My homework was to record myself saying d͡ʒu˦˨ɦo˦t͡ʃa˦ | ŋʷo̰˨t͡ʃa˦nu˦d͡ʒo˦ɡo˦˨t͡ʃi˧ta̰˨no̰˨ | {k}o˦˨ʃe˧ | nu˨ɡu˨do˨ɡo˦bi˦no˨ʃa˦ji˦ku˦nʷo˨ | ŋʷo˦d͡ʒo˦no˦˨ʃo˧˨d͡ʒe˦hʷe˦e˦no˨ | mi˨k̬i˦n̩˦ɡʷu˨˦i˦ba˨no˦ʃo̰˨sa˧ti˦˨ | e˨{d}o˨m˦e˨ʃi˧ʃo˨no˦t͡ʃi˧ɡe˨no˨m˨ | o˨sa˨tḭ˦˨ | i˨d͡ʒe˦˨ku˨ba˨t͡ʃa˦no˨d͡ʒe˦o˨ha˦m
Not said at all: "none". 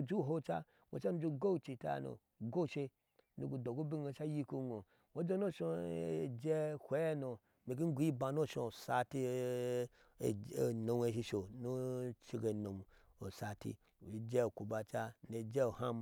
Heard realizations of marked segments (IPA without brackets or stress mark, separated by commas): ɡ, n